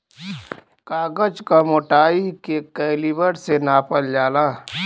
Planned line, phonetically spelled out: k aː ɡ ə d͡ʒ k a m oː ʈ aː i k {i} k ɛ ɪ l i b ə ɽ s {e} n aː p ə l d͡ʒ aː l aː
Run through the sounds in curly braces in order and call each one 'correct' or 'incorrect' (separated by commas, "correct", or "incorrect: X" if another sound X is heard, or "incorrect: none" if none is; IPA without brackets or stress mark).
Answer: incorrect: e, correct